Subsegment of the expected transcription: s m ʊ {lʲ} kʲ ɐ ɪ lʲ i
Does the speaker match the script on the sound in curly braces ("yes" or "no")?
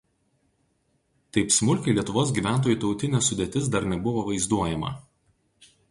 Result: yes